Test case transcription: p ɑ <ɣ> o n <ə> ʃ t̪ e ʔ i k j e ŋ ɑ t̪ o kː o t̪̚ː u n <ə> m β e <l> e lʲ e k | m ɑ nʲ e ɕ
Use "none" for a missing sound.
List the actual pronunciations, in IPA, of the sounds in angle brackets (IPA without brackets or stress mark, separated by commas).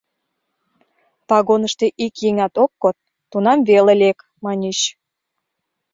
ɣ, ə, ɑ, l